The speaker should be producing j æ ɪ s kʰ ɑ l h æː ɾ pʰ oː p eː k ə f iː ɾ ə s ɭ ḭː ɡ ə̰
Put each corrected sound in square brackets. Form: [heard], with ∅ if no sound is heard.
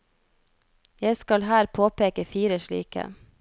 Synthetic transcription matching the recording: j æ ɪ s [k] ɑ l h æː ɾ pʰ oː p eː k ə f iː ɾ ə [ʃ] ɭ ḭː [k] ə̰

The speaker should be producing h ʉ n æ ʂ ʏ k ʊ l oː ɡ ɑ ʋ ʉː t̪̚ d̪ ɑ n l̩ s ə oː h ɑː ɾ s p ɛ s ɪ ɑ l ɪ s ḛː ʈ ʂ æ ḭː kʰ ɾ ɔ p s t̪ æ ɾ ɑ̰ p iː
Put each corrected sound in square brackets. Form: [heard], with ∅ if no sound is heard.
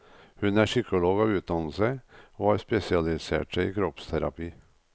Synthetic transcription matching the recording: h ʉ n æ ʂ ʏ k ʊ l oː ɡ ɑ ʋ ʉː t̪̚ d̪ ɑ n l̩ s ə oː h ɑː ɾ s p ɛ s ɪ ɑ l ɪ s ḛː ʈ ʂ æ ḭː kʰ ɾ ɔ p s [t̪ʰ] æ ɾ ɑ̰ p iː

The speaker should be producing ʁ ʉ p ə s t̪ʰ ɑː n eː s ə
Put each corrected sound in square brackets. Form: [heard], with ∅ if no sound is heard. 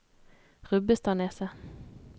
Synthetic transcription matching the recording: ʁ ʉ [b] ə s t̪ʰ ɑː n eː s ə

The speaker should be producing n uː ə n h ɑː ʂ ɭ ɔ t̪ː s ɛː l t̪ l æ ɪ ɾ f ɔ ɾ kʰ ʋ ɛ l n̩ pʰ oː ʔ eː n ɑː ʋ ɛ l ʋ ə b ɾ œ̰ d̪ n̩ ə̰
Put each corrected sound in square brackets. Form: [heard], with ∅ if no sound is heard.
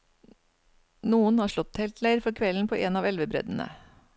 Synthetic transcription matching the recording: n uː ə n h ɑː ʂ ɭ ɔ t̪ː [h] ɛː l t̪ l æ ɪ ɾ f ɔ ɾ kʰ ʋ ɛ l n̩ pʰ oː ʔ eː n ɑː ʋ ɛ l ʋ ə b ɾ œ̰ d̪ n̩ ə̰

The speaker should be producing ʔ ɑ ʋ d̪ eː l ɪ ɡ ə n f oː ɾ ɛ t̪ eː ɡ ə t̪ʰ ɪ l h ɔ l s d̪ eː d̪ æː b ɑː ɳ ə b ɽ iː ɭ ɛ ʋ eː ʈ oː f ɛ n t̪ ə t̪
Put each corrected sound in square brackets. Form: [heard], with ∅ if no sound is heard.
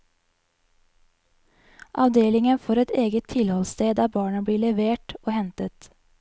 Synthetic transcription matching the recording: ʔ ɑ ʋ d̪ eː l ɪ [ŋ] ə n f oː ɾ ɛ t̪ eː ɡ ə t̪ʰ ɪ l h ɔ l s [t̪] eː d̪ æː b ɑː ɳ ə b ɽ iː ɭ ɛ ʋ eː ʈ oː [h] ɛ n t̪ ə t̪

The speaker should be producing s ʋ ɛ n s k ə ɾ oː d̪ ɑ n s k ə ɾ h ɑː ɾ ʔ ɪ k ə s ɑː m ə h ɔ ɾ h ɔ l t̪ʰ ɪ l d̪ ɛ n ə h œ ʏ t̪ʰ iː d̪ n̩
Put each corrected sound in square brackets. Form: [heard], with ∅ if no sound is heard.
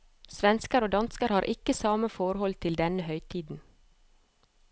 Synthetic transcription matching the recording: s ʋ ɛ n s k ə ɾ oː d̪ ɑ n s k ə ɾ h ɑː ɾ ʔ ɪ k ə s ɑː m ə [f] ɔ ɾ h ɔ l t̪ʰ ɪ l d̪ ɛ n ə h œ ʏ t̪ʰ iː d̪ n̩

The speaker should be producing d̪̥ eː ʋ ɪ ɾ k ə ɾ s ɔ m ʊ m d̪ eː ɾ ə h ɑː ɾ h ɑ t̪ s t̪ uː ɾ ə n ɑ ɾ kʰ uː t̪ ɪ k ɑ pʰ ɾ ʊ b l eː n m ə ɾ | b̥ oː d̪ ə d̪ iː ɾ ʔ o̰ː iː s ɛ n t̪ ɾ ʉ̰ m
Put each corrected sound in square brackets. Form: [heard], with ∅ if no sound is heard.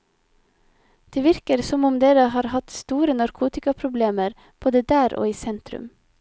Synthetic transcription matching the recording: d̪̥ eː ʋ ɪ ɾ k ə ɾ s ɔ m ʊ m d̪ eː ɾ ə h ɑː ɾ h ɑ t̪ s t̪ uː ɾ ə n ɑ ɾ kʰ uː t̪ ɪ k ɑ pʰ ɾ ʊ b l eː [∅] m ə ɾ | b̥ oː d̪ ə d̪ [æː] ɾ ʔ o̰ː iː s ɛ n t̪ ɾ ʉ̰ m

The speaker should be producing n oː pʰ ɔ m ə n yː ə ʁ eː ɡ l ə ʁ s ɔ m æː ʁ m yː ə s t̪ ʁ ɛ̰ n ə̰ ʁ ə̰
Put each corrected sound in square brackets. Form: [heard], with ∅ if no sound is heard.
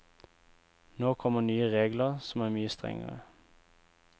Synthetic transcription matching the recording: n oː [kʰ] ɔ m ə n yː ə ʁ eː ɡ l ə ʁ s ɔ m æː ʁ m yː ə s t̪ ʁ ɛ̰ [ŋ] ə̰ ʁ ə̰

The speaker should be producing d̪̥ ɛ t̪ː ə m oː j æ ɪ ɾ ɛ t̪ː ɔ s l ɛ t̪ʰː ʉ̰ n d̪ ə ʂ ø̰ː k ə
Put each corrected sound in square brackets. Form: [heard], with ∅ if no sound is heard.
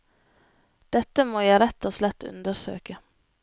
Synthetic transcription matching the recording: d̪̥ ɛ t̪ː ə m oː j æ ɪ ɾ ɛ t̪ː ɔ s l ɛ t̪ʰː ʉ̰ n d̪ ə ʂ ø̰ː k ə

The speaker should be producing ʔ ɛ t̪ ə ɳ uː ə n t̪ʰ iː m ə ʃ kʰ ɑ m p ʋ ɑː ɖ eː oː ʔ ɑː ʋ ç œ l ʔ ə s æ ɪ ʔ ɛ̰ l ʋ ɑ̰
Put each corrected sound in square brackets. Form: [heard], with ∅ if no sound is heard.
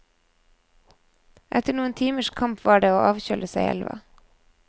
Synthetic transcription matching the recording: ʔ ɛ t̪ ə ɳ uː ə n t̪ʰ iː m ə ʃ kʰ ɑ m p ʋ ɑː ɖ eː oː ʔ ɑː ʋ ç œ l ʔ ə s æ ɪ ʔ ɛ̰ l ʋ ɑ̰

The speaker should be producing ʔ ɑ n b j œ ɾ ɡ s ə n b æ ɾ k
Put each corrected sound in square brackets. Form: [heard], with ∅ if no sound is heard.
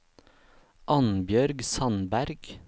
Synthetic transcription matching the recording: ʔ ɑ n b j œ ɾ ɡ s [ɑ] n b æ ɾ [ɡ]

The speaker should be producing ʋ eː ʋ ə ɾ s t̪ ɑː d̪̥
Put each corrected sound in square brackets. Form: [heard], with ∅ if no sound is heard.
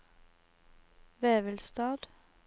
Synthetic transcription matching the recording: ʋ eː ʋ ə [l] s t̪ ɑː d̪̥

